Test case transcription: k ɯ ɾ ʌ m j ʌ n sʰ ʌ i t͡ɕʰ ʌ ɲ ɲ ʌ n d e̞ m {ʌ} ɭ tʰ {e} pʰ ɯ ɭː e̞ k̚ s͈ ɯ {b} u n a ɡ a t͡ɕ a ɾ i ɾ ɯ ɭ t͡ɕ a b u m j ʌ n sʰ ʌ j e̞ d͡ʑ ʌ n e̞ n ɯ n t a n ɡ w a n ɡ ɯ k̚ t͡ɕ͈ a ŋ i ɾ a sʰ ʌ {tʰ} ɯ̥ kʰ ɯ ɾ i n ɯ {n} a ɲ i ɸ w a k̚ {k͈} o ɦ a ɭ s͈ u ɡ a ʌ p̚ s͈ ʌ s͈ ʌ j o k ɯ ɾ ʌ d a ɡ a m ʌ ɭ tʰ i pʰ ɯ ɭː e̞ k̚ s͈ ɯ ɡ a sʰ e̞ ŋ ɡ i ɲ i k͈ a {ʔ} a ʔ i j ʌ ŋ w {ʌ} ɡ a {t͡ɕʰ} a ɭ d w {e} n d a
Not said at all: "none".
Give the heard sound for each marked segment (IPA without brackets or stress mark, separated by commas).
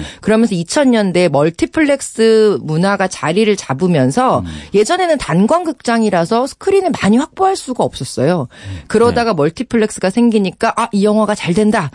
ʌ, i, m, sʰ, m, p͈, ʔ, a, t͡ɕ, e